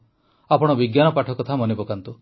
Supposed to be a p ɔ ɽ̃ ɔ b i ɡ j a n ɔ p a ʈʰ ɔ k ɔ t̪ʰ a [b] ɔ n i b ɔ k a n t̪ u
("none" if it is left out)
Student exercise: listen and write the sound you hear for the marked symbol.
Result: m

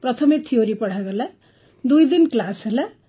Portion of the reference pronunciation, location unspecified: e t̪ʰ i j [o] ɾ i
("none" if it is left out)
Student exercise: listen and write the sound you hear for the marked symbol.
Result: o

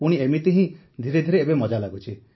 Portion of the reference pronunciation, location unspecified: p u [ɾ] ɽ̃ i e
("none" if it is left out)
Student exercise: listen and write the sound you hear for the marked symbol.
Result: none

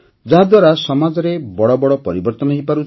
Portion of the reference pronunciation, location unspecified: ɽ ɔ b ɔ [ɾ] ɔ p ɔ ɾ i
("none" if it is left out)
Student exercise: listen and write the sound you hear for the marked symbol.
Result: ɽ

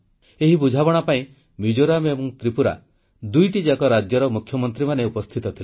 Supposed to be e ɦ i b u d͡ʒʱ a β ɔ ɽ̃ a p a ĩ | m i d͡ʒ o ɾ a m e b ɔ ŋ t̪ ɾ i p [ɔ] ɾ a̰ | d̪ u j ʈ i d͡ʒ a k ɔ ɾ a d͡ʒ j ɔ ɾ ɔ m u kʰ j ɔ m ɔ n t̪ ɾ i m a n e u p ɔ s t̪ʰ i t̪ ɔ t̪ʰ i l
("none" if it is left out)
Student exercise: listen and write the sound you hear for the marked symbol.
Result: u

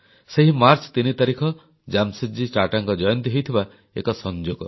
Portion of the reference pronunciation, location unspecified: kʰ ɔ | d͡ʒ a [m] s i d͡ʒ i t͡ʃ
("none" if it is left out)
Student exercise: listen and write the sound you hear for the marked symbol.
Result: m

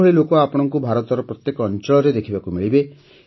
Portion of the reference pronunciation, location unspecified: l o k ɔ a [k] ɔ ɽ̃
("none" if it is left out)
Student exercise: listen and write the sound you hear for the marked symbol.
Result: p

